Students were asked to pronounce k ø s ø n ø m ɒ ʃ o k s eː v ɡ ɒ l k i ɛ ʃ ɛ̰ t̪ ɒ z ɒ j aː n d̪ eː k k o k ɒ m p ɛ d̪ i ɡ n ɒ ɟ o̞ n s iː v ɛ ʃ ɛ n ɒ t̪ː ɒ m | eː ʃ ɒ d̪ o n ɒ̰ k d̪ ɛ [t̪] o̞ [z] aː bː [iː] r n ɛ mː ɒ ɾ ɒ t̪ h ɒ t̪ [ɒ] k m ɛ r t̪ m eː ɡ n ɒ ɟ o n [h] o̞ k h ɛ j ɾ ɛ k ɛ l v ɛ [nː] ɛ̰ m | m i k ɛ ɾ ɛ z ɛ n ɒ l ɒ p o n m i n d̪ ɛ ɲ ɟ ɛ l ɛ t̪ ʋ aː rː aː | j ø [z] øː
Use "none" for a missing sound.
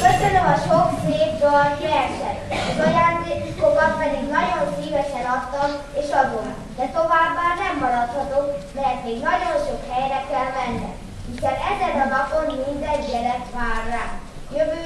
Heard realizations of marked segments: t̪, v, aː, o, ʃ, nː, v

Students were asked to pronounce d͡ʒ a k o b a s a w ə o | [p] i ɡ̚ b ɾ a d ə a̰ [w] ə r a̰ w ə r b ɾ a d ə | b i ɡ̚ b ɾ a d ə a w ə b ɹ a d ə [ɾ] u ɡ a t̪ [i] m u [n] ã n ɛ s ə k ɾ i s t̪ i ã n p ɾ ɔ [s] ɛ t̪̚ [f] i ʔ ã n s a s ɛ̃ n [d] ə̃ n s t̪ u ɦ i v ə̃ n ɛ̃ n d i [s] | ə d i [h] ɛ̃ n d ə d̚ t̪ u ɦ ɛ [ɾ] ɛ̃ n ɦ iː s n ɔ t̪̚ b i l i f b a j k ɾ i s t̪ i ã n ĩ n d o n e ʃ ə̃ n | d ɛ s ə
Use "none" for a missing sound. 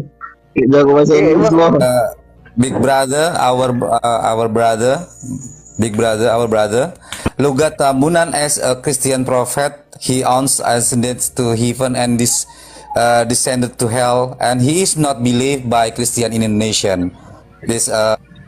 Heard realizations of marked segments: b, w, l, a, n, f, h, d, s, s, l

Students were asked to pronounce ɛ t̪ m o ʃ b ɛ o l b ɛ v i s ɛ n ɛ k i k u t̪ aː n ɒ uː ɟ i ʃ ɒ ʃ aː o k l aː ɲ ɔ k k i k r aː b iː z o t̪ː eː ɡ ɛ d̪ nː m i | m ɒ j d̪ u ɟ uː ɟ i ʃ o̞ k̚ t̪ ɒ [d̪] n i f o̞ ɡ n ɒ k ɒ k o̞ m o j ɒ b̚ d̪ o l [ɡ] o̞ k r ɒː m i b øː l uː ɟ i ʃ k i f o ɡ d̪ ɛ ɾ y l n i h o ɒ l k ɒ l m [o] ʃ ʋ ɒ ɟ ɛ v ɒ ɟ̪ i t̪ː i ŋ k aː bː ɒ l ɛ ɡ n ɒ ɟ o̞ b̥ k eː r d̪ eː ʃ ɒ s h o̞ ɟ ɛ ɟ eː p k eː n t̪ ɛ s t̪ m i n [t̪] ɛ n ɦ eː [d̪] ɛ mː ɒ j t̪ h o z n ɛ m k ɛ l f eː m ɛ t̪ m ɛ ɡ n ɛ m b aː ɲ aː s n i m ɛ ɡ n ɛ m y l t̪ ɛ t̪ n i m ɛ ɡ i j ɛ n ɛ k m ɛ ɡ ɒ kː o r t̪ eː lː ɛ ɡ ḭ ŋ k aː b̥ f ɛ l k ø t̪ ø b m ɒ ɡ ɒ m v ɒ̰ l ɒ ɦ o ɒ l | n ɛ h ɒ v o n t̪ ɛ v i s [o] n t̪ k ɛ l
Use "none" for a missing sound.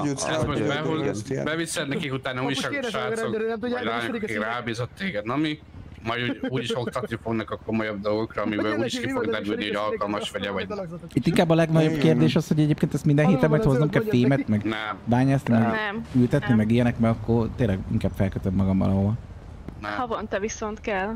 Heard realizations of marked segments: t̪, ɡ, ɒ, d̪, t̪, o

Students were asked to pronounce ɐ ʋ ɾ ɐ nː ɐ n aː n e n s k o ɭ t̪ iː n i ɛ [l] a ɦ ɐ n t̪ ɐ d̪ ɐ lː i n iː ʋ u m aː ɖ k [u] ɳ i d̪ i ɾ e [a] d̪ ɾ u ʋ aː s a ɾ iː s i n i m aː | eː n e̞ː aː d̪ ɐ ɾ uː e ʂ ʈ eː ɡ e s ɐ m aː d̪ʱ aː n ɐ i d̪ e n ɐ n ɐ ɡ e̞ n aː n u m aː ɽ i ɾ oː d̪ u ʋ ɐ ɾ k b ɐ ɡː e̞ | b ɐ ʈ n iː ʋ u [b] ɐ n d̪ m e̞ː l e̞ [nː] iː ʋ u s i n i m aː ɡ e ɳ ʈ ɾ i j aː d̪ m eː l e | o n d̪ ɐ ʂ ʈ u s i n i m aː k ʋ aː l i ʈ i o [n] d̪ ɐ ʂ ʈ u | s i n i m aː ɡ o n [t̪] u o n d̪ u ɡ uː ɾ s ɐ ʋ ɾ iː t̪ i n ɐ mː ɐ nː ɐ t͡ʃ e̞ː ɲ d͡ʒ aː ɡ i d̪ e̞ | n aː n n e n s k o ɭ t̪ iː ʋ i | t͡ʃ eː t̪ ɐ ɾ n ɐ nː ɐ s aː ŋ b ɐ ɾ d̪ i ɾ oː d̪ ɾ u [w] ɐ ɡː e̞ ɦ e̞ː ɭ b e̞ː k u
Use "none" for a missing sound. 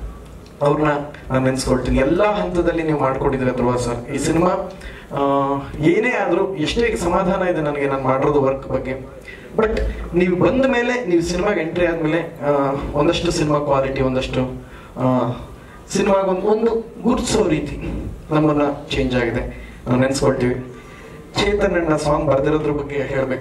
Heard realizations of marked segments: lː, o, ɐ, b, n, n, d̪, b

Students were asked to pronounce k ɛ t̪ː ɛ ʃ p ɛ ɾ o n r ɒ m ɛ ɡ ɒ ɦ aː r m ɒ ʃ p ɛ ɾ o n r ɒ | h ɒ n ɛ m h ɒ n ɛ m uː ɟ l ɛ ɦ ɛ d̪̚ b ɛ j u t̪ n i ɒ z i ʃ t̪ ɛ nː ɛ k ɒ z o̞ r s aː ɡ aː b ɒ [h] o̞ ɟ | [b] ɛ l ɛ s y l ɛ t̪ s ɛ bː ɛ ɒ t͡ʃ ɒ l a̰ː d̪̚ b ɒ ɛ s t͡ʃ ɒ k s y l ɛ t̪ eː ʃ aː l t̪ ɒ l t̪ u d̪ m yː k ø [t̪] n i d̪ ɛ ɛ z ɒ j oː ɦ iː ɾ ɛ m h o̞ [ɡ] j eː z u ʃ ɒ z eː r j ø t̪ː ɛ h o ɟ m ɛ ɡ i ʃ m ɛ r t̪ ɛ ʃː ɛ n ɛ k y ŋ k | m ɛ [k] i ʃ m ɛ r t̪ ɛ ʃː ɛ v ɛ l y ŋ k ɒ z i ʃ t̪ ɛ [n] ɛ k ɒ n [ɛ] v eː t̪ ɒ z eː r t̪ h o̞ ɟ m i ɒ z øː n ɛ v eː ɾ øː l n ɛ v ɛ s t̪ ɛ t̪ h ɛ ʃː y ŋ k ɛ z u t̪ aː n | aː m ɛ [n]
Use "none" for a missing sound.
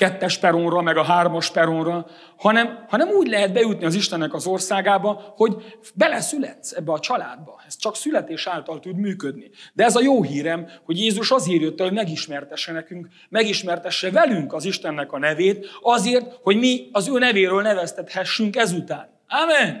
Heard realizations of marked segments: h, b, d̪, ɟ, ɡ, nː, ɛ, n

